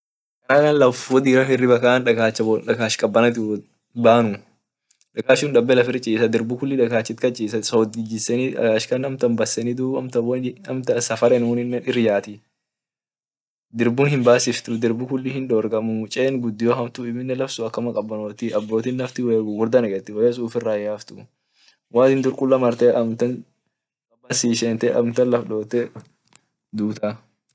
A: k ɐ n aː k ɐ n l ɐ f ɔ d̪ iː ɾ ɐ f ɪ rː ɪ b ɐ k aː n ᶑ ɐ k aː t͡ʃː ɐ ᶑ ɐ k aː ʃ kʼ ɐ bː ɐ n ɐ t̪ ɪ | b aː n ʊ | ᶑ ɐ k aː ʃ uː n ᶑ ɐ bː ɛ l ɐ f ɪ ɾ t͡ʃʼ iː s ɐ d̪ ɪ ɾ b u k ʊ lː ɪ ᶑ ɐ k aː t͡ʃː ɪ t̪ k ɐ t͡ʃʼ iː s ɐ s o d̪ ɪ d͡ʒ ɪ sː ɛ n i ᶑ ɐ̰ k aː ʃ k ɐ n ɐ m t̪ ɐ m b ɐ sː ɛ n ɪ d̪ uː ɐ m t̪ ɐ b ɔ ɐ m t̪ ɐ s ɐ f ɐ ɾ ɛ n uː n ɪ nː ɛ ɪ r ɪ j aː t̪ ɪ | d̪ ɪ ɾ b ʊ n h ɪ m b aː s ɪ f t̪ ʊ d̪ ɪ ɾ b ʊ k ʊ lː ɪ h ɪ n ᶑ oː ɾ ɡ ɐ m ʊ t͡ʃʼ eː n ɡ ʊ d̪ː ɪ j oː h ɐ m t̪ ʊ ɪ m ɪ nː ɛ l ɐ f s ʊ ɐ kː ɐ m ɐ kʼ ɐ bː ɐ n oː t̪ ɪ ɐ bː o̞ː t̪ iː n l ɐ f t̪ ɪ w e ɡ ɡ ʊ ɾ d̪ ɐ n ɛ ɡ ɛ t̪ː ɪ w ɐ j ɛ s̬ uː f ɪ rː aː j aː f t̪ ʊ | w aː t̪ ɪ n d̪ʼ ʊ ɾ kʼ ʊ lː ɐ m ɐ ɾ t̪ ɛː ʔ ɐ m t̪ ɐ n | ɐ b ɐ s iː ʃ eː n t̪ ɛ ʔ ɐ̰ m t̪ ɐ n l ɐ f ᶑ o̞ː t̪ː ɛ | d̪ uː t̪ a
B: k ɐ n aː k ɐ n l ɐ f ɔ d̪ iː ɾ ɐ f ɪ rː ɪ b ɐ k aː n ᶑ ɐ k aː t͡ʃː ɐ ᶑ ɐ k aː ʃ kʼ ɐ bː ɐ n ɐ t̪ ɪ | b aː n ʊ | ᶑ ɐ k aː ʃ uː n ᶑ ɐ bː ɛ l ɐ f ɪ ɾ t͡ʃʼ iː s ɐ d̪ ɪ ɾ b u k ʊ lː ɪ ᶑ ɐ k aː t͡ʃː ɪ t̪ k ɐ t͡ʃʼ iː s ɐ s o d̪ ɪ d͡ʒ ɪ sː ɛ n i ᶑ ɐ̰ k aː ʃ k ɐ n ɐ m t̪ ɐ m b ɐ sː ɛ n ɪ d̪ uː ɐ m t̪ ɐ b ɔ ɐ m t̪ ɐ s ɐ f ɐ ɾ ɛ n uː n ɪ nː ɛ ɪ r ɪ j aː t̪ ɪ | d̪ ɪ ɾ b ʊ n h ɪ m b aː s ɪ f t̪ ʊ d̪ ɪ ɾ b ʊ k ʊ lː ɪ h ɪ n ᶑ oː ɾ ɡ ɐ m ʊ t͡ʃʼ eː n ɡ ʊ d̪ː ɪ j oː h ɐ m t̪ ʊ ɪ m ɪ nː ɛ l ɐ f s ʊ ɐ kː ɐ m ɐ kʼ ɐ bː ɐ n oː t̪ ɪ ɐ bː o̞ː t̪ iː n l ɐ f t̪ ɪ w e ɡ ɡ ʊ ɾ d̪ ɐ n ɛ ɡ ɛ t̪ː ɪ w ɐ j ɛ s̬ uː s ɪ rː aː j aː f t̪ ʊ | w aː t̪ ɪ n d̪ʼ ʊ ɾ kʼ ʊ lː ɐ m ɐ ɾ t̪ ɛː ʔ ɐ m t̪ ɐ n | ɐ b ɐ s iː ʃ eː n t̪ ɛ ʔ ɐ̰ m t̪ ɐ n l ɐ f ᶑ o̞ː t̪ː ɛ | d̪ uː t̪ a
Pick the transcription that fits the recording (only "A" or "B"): A